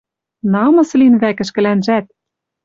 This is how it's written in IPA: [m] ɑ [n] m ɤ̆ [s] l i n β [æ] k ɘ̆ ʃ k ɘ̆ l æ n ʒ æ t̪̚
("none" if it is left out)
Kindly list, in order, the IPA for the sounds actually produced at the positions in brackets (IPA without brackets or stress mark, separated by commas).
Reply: n, none, s, æ